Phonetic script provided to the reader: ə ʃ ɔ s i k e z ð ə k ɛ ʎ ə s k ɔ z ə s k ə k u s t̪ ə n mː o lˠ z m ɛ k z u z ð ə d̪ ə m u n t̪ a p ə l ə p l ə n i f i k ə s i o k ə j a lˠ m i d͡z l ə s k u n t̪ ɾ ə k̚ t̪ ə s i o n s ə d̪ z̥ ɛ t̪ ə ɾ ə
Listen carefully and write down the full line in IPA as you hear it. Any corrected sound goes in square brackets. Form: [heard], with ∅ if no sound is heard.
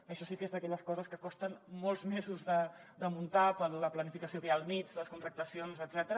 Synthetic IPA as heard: ə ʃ ɔ s i k e z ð ə k ɛ ʎ ə s k ɔ z ə s k ə k [ɔ] s t̪ ə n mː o lˠ z m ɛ [∅] z u z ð ə d̪ ə m u n t̪ a p ə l ə p l ə n i f i k ə s i o k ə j a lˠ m i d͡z l ə s k u n t̪ ɾ ə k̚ t̪ ə s i o n [z] ə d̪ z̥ ɛ t̪ ə ɾ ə